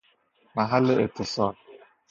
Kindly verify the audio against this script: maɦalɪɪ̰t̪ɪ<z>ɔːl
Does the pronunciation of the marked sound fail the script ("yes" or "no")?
yes